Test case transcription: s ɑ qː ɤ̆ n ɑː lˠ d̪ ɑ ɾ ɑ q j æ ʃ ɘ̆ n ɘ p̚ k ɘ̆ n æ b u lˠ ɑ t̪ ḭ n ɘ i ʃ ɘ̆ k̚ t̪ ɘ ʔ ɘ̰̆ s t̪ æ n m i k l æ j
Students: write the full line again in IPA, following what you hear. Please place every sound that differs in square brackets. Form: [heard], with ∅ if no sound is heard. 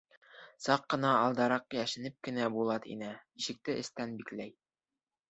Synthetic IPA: s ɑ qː ɤ̆ n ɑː lˠ d̪ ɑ ɾ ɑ q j æ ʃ ɘ̆ n ɘ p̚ k ɘ̆ n æ b u lˠ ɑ t̪ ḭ n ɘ i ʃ ɘ̆ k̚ t̪ ɘ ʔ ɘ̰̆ s t̪ æ n [b] i k l æ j